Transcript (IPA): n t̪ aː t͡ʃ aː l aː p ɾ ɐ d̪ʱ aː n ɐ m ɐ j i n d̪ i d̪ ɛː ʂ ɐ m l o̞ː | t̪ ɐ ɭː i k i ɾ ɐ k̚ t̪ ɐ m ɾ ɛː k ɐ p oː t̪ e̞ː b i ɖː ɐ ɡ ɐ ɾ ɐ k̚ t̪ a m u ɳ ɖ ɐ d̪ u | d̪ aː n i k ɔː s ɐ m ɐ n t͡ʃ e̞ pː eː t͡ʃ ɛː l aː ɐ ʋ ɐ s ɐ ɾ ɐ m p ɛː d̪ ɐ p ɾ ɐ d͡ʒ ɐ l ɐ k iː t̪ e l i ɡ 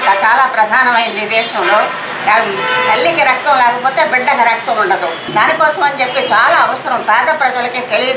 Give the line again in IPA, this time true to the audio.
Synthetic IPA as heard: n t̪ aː t͡ʃ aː l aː p ɾ ɐ d̪ʱ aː n ɐ m ɐ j i n d̪ i d̪ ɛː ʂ ɐ m l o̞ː | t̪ ɐ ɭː i k i ɾ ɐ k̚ t̪ ɐ m l ɛː k ɐ p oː t̪ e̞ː b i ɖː ɐ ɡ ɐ ɾ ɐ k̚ t̪ ɐ m u ɳ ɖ ɐ d̪ u | d̪ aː n i k ɔː s ɐ m ɐ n t͡ʃ e̞ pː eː t͡ʃ aː l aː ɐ ʋ ɐ s ɐ ɾ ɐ m p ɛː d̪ ɐ p ɾ ɐ d͡ʒ ɐ l ɐ k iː t̪ e l i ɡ